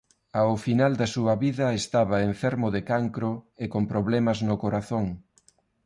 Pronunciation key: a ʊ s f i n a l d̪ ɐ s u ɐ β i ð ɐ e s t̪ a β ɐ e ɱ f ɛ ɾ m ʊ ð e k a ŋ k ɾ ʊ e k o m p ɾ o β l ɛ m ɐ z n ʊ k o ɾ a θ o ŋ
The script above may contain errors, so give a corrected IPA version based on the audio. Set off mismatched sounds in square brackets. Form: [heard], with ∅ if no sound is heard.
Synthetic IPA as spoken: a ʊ [∅] f i n a l d̪ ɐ s u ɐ β i ð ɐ e s t̪ a β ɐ e ɱ f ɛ ɾ m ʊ ð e k a ŋ k ɾ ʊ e k o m p ɾ o β l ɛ m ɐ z n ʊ k o ɾ a θ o ŋ

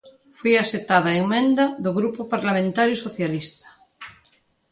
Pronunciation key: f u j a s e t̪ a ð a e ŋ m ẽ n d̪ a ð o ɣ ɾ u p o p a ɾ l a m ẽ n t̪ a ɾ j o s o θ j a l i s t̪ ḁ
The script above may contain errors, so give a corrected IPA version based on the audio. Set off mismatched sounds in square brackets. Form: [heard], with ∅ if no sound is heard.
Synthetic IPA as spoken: f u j a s e t̪ a ð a e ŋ m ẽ n d̪ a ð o ɣ ɾ u p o p a ɾ l a m ẽ n t̪ a ɾ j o s o θ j a l i s t̪ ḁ

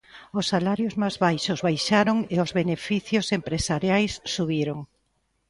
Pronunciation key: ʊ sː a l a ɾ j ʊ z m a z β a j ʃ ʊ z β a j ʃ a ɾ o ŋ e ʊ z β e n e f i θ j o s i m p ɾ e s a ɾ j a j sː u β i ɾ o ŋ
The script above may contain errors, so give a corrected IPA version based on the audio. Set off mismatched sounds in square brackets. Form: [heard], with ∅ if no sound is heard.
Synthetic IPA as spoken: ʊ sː a l a ɾ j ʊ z m a z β a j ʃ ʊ z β a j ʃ a ɾ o ŋ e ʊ z β e n e f i θ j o s [e] m p ɾ e s a ɾ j a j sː u β i ɾ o ŋ

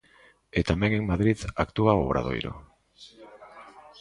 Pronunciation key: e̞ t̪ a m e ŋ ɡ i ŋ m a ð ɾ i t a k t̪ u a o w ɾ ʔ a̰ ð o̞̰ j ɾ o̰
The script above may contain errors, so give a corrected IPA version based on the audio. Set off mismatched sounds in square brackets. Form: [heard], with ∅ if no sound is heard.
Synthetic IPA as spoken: e̞ t̪ a m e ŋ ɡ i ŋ m a ð ɾ i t a k t̪ u a o [β] ɾ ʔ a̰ ð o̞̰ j ɾ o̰

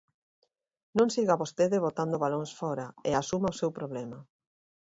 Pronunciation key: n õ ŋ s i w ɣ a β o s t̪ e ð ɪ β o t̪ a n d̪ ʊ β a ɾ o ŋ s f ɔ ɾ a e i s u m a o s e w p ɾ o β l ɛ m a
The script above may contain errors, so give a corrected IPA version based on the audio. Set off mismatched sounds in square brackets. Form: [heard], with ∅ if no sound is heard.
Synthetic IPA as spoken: n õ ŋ s i [∅] ɣ a β o s t̪ e ð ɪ β o t̪ a n d̪ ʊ β a [l] o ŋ s f ɔ ɾ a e [a] s u m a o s e w p ɾ o β l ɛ m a

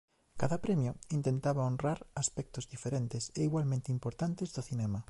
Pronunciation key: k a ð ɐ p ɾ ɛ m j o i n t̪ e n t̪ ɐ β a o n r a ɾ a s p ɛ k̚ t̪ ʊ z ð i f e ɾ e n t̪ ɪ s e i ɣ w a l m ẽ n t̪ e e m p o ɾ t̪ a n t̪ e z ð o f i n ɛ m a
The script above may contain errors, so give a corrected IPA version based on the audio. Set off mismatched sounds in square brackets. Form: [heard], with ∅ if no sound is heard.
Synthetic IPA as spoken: k a ð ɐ p ɾ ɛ m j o i n t̪ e n t̪ [a] β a o n r a ɾ a s p ɛ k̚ t̪ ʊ z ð i f e ɾ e n t̪ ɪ s e i ɣ w a l m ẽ n t̪ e [i] m p o ɾ t̪ a n t̪ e z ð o [θ] i n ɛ m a

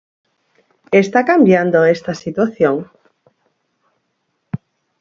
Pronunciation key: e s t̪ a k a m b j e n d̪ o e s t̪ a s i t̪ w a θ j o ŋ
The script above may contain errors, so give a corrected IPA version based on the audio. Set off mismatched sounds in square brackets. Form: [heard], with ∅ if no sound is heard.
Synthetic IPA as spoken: e s t̪ a k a m b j [a] n d̪ o e s t̪ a s i t̪ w a θ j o ŋ

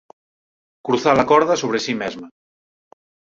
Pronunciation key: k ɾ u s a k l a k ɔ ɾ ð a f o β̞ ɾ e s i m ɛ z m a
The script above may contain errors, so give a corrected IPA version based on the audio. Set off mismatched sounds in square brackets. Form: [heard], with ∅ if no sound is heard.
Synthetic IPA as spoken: k ɾ u [θ] a [∅] l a k ɔ ɾ ð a [s] o β̞ ɾ e s i m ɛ z m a

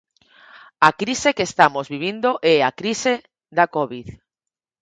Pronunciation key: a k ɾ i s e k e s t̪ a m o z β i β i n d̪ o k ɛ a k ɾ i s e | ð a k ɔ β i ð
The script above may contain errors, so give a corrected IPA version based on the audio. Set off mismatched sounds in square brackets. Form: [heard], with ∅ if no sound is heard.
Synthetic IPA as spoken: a k ɾ i s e k e s t̪ a m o z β i β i n d̪ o [ʔ] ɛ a k ɾ i s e | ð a k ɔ β i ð

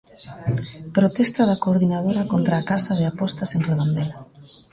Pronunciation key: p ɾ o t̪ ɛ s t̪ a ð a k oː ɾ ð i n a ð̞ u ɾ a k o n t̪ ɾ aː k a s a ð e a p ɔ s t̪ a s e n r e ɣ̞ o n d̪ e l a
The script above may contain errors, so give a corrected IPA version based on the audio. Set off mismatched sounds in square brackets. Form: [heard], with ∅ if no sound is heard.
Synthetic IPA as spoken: p ɾ o t̪ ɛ s t̪ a ð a k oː ɾ ð i n a ð̞ [o] ɾ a k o n t̪ ɾ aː k a s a ð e a p ɔ s t̪ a s e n r e [ð̞] o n d̪ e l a

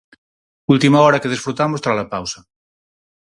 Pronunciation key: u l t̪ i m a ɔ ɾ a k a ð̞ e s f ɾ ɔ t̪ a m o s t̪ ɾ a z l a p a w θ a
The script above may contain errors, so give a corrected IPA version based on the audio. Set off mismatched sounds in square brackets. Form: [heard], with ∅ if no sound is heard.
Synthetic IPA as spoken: u l t̪ i m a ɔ ɾ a k [e] ð̞ e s f ɾ [u] t̪ a m o s t̪ ɾ a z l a p a w [s] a

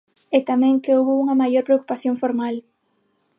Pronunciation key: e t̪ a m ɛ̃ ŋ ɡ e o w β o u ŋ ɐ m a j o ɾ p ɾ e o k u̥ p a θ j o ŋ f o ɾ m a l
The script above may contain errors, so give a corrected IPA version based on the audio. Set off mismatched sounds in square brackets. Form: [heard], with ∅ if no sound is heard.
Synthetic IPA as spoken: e t̪ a m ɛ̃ ŋ [k] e o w β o u ŋ ɐ m a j o ɾ p ɾ e o k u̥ p a θ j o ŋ f o ɾ m a l

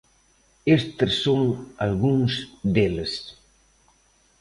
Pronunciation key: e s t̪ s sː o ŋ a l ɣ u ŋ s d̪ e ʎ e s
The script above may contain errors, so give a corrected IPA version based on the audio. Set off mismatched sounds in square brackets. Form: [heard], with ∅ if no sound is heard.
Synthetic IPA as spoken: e s t̪ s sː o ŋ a l ɣ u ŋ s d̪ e [l] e s

